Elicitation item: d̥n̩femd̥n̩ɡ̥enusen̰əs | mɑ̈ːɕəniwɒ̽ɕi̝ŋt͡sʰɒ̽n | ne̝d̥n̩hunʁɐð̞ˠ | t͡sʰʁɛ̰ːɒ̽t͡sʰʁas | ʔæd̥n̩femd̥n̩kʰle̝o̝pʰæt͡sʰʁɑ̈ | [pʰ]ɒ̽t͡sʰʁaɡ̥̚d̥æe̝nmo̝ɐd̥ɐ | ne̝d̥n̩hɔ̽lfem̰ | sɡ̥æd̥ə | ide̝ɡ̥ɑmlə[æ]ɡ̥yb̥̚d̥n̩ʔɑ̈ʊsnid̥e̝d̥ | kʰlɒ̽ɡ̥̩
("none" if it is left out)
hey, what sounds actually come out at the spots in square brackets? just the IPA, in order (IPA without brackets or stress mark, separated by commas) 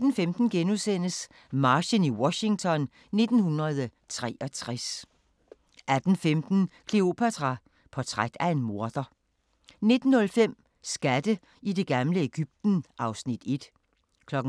pʰ, e